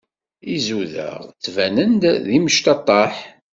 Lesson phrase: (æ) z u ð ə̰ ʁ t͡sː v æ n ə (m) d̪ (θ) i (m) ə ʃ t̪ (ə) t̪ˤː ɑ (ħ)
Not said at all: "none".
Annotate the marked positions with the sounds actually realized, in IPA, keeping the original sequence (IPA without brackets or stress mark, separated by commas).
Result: i, n, ð, m, ɑ, ħ